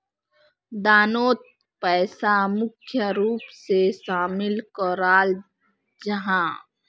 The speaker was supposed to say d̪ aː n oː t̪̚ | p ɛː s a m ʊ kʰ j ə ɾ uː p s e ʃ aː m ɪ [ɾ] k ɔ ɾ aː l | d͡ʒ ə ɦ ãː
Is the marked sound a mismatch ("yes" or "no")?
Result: yes